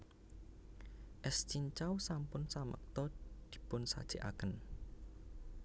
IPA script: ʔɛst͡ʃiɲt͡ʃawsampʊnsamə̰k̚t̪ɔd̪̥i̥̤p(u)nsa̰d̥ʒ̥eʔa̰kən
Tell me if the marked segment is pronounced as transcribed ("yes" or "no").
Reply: no